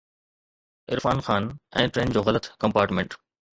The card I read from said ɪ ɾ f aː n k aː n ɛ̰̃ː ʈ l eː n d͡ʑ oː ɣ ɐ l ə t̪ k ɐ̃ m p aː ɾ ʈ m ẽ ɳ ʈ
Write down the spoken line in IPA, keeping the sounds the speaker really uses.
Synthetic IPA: ɪ ɾ f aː n x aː n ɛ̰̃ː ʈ ɾ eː n d͡ʑ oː ɣ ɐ l ə t̪ k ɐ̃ m p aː ɾ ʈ m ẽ ɳ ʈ